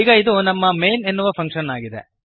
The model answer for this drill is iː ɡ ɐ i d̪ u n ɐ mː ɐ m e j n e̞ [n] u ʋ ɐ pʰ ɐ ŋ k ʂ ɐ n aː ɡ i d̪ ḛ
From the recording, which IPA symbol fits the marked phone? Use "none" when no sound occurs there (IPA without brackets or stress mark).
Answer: nː